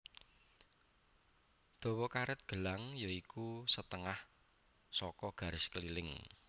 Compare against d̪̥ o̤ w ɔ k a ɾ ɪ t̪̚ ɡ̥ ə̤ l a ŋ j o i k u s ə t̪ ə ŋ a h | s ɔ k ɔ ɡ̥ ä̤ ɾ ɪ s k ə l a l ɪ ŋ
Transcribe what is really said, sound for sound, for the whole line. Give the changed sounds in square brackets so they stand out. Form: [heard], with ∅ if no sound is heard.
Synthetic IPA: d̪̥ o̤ w ɔ k a ɾ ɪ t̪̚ ɡ̥ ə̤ l a ŋ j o i k u s ə t̪ ə ŋ a h | s ɔ k ɔ ɡ̥ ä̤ ɾ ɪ s k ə l [i] l ɪ ŋ

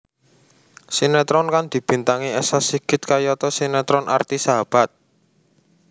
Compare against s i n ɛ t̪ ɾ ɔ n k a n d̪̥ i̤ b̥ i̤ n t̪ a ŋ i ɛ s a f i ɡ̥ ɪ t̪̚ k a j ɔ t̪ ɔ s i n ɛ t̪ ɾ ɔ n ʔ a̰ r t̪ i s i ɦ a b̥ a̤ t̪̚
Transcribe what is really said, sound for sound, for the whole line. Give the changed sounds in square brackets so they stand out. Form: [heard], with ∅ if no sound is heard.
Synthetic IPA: s i n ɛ t̪ ɾ ɔ n k a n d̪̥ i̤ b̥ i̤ n t̪ a ŋ i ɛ s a [s] i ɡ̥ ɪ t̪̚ k a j ɔ t̪ ɔ s i n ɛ t̪ ɾ ɔ n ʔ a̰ r t̪ i s [a] ɦ a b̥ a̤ t̪̚

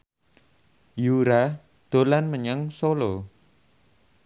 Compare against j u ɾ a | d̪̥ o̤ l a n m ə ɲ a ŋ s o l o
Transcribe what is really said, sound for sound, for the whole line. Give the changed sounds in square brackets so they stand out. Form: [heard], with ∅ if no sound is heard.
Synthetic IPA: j u ɾ a | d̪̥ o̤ l a n m ə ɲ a ŋ s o l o

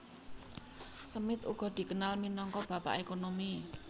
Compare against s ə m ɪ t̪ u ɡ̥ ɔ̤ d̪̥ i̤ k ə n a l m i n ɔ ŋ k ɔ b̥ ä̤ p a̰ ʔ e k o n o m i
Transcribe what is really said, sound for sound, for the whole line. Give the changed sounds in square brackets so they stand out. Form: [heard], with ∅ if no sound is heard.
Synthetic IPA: s ə m ɪ t̪ u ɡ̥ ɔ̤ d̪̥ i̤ k ə n a l m i n ɔ ŋ k ɔ b̥ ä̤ p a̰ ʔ e k o n o m i

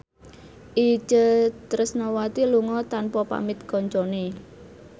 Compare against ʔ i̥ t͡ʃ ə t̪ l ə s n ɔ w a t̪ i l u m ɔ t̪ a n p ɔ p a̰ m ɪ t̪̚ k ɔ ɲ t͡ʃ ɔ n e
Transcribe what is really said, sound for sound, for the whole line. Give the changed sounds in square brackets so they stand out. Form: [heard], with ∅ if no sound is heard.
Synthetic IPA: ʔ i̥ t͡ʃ ə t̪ [ɾ] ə s n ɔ w a t̪ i l u [ŋ] ɔ t̪ a n p ɔ p a̰ m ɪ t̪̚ k ɔ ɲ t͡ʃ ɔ n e

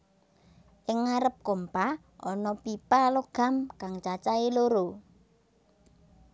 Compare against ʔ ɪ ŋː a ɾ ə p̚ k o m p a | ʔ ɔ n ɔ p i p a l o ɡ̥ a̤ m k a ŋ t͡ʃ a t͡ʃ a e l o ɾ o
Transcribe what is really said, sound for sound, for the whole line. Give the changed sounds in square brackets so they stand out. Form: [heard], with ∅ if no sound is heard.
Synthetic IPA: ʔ ɪ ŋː a ɾ ə p̚ k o m p a | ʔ ɔ n ɔ p i p a l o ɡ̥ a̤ m k a ŋ t͡ʃ a t͡ʃ a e l o ɾ o

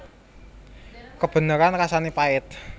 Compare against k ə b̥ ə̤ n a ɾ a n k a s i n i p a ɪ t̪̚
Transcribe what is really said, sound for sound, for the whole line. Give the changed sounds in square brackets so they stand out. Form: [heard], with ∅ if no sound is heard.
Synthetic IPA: k ə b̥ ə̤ n [ə] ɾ a n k a s [a] n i p a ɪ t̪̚

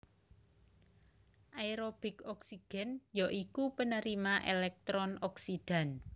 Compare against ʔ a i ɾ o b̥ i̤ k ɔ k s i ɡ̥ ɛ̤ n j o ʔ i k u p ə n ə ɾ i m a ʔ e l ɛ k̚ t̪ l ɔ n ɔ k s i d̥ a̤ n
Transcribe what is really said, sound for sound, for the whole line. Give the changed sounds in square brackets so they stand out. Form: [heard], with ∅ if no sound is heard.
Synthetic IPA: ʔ a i ɾ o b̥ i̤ k ɔ k s i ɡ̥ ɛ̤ n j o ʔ i k u p ə n ə ɾ i m a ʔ e l ɛ k̚ t̪ [ɾ] ɔ n ɔ k s i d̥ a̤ n

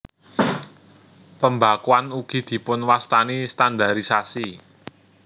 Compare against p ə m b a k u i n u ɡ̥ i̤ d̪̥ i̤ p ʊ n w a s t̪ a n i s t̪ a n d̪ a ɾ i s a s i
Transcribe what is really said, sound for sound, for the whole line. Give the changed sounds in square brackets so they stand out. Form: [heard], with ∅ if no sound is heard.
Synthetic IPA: p ə m b a k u [a] n u ɡ̥ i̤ d̪̥ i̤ p ʊ n w a s t̪ a n i s t̪ a n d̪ a ɾ i s a s i

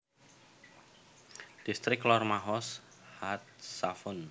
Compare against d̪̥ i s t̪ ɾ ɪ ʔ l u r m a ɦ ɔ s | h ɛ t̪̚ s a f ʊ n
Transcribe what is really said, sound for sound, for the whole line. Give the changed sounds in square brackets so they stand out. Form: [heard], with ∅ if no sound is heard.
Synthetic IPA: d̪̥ i s t̪ ɾ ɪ [k] l [ɔ] r m a ɦ ɔ s | h [a] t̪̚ s a f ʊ n

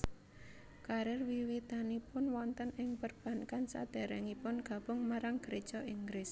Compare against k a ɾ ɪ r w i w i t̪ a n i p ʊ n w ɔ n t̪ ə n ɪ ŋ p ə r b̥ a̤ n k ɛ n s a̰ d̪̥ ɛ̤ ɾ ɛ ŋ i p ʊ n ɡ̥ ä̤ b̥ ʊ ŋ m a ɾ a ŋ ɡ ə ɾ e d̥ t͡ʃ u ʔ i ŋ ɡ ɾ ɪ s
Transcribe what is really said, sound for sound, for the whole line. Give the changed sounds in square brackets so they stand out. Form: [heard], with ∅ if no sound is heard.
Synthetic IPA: k a ɾ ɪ r w i w i t̪ a n i p ʊ n w ɔ n t̪ ə n ɪ ŋ p ə r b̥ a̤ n k [a] n s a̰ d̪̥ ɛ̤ ɾ ɛ ŋ i p ʊ n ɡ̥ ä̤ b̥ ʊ ŋ m a ɾ a ŋ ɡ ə ɾ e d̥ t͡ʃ [ɔ] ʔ i ŋ ɡ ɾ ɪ s

